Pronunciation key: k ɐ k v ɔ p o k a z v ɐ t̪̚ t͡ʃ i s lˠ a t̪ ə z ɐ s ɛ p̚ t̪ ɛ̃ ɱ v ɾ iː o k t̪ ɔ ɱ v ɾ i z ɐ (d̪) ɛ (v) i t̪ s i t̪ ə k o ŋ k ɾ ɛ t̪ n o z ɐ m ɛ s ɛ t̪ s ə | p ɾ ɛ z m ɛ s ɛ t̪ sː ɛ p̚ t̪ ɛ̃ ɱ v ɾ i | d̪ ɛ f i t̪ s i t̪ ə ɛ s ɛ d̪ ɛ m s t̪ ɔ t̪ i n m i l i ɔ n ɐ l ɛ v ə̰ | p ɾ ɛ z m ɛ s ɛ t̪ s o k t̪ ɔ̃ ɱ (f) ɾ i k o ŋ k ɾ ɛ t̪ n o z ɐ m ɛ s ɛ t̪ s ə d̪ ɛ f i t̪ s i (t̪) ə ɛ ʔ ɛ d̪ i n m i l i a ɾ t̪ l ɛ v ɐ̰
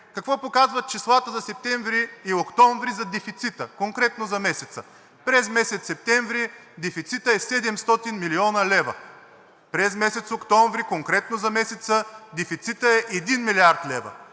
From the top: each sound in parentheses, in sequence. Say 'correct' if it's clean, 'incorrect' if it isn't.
correct, incorrect: f, incorrect: v, correct

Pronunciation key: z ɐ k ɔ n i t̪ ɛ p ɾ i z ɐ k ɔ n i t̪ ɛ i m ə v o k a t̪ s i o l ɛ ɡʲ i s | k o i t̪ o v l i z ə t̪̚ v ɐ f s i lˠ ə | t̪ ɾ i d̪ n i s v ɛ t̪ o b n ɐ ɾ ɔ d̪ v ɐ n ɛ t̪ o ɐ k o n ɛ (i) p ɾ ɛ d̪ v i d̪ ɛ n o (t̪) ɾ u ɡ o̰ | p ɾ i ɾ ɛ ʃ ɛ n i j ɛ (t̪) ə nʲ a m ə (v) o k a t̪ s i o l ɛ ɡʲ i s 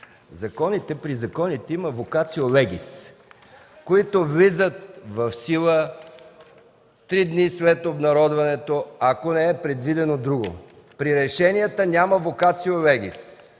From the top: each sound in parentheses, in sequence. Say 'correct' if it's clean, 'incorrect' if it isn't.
incorrect: ɛ, incorrect: d̪, correct, correct

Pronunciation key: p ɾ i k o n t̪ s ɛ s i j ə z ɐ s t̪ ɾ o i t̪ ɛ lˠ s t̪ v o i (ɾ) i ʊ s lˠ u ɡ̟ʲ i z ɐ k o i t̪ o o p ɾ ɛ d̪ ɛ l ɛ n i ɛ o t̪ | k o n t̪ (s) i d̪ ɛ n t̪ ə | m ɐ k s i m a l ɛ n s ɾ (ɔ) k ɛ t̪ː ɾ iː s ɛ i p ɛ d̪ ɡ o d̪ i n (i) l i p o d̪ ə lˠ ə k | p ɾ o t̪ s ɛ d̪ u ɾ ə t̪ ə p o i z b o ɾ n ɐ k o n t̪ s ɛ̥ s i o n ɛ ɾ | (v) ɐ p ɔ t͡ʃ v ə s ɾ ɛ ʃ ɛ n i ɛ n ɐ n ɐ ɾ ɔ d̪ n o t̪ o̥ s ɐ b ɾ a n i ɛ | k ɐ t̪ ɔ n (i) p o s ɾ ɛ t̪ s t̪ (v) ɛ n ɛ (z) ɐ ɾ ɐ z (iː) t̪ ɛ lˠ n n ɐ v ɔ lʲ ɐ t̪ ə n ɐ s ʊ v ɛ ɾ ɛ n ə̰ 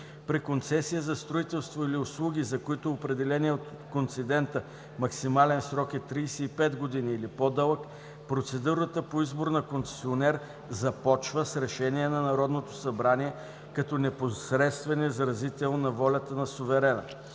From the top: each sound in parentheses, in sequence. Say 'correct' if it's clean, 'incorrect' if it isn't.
incorrect: l, correct, correct, incorrect: iː, incorrect: z, incorrect: ɛ, correct, correct, incorrect: i

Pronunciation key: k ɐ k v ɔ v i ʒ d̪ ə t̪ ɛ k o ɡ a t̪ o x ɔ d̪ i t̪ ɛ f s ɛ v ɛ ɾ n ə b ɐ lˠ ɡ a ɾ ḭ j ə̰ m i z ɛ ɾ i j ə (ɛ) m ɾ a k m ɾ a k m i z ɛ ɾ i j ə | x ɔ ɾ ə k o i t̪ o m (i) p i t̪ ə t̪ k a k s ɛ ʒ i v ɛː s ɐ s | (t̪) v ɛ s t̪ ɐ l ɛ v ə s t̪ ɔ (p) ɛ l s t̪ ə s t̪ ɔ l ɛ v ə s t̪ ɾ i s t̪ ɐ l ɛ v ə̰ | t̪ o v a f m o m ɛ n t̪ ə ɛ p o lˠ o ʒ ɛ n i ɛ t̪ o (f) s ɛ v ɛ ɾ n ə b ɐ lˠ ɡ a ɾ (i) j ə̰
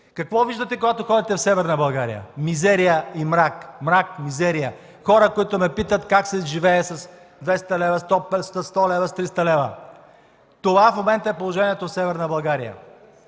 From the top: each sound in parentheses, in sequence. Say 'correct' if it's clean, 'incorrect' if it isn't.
incorrect: i, incorrect: ɛ, incorrect: d̪, correct, correct, correct

